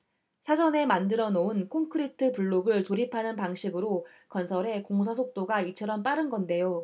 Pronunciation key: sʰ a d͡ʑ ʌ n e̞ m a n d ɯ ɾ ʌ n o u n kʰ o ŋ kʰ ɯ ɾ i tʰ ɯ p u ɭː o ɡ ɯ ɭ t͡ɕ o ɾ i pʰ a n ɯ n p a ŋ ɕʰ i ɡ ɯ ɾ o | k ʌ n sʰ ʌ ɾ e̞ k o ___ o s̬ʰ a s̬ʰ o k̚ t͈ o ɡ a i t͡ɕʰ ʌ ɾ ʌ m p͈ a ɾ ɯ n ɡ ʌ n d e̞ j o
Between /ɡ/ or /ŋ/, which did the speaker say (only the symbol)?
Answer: ŋ